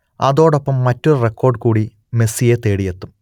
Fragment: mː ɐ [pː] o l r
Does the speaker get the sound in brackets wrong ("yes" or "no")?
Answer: yes